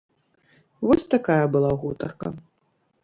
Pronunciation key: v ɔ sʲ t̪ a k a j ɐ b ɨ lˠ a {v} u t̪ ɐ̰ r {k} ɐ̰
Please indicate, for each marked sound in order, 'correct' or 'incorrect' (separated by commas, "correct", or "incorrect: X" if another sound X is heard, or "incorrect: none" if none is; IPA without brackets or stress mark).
incorrect: ɣ, correct